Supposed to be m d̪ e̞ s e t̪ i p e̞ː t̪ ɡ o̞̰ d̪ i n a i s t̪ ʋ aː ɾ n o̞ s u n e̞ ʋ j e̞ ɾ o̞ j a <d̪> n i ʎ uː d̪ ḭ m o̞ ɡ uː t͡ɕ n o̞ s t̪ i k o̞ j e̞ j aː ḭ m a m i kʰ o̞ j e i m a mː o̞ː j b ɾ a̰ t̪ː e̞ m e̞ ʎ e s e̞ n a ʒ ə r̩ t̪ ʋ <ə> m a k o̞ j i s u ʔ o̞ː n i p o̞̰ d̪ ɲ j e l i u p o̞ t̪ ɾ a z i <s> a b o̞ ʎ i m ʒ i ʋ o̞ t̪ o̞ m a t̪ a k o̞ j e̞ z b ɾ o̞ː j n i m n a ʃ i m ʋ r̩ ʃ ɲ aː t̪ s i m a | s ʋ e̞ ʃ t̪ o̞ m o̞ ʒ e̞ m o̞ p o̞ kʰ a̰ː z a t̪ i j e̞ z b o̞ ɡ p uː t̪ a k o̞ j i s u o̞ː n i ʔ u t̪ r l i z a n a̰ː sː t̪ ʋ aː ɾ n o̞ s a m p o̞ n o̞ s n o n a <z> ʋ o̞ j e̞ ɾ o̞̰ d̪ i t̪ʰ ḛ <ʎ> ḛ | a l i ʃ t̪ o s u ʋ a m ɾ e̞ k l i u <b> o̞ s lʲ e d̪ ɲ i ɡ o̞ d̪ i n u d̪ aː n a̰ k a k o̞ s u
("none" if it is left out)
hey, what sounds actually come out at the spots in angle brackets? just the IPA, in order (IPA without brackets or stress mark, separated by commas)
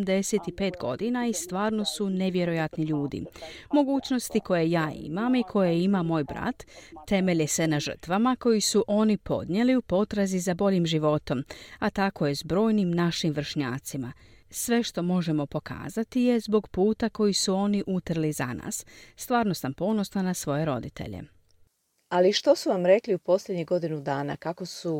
t̪, a, z, s, ʎ, p